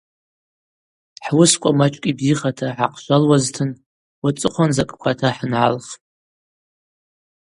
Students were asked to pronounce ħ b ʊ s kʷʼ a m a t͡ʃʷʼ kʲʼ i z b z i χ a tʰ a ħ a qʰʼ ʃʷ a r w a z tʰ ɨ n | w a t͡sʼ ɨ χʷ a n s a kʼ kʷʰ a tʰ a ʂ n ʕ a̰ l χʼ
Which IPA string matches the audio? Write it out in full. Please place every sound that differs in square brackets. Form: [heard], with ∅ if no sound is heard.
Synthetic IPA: ħ [w] ʊ s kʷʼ a m a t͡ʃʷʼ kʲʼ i [∅] b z i χ a tʰ a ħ a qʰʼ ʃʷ a [l] w a z tʰ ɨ n | w a t͡sʼ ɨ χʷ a n [z] a kʼ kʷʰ a tʰ a [ħ] n ʕ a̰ l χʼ